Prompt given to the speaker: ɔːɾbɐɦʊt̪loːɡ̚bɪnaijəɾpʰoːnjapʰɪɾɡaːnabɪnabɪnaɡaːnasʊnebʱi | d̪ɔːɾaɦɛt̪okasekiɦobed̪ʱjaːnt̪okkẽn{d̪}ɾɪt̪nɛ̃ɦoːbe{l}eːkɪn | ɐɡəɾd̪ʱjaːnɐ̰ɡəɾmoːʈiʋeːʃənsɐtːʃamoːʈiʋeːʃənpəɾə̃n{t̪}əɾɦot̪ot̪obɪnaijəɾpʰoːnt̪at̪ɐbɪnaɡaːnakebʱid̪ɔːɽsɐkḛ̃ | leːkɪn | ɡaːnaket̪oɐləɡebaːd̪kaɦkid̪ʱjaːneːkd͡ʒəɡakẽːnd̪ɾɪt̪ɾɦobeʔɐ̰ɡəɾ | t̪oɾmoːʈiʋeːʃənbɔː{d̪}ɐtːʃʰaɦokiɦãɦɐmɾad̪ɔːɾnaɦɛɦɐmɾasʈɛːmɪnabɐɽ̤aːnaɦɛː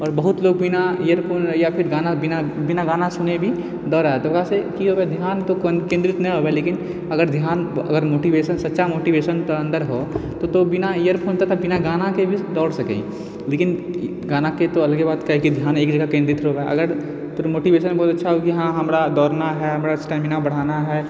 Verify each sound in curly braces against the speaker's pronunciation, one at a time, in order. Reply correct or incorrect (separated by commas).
correct, correct, incorrect, incorrect